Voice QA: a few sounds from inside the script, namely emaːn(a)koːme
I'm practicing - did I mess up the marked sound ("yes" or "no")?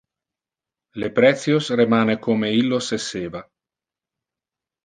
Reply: yes